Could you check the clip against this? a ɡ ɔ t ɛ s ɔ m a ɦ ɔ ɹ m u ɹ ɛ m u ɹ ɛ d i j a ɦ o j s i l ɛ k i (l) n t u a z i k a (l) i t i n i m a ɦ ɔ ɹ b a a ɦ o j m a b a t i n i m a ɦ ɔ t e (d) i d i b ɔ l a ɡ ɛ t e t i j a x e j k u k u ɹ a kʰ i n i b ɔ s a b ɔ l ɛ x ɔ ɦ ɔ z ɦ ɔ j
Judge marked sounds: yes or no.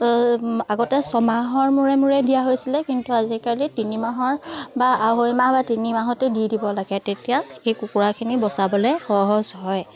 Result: no, yes, yes

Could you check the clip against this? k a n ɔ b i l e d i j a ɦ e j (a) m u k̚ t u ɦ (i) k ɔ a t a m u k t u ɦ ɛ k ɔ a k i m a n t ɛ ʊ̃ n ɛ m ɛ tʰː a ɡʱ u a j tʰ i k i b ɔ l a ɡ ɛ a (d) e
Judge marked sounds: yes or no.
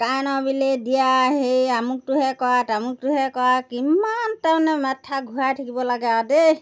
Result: yes, no, yes

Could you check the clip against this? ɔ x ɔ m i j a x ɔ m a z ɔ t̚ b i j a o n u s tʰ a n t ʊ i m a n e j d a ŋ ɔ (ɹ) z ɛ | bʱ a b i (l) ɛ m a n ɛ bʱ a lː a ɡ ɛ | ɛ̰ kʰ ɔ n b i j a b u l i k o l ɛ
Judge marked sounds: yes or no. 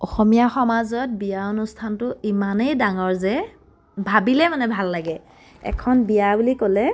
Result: yes, yes

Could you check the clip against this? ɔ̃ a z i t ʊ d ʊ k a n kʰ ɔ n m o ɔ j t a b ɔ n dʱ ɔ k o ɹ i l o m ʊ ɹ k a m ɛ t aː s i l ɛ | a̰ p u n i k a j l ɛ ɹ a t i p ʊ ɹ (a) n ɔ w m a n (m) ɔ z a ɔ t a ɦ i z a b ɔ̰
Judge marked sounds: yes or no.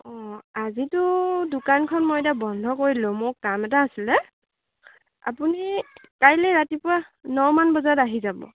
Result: yes, no

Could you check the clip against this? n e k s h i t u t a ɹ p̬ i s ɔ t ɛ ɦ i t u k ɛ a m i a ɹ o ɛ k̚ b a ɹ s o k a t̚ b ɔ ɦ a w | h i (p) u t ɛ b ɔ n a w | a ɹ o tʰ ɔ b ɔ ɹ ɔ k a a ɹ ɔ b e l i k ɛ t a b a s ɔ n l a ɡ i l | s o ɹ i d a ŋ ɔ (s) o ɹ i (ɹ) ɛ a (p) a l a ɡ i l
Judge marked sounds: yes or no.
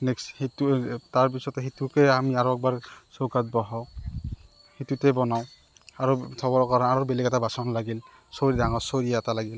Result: no, yes, no, no

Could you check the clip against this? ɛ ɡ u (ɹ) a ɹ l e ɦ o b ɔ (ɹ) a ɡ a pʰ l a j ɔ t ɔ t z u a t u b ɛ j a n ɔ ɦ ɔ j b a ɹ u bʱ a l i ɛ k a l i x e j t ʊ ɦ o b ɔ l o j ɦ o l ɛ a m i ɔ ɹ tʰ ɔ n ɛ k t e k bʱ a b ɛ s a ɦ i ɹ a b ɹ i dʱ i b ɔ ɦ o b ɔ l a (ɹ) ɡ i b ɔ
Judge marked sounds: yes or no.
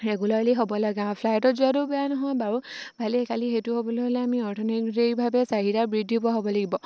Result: no, no, no

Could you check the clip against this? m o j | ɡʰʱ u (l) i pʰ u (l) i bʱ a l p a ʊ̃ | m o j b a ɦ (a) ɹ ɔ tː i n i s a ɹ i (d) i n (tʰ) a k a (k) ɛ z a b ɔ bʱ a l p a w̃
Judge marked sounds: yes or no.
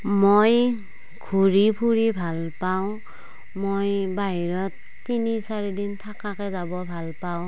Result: no, no, no, yes, yes, yes

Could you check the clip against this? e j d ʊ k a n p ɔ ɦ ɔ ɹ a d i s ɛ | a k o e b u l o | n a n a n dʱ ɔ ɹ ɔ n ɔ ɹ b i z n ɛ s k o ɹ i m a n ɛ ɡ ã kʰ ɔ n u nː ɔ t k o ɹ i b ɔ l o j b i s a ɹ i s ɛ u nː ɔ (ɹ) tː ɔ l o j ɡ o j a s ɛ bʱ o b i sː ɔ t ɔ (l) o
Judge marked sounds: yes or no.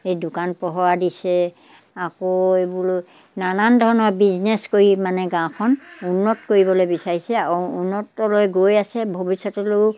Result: no, yes

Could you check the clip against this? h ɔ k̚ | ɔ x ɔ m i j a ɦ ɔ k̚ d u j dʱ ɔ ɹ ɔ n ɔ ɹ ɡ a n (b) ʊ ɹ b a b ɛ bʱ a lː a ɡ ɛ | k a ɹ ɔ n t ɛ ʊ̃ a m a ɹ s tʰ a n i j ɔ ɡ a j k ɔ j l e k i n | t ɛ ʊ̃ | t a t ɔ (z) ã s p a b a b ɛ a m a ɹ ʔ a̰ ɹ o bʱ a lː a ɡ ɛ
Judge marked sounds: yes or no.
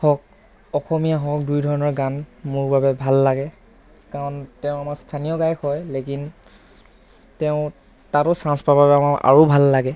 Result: no, no

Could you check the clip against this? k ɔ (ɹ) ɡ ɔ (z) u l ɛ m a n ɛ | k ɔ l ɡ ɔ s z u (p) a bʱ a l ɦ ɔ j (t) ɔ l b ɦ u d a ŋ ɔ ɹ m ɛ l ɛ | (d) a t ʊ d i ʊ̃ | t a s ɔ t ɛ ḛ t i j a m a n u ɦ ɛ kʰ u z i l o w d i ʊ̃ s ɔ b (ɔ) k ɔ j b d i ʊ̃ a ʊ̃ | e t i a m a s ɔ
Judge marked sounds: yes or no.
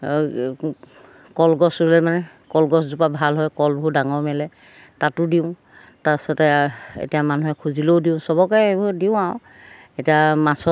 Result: no, no, yes, no, no, yes

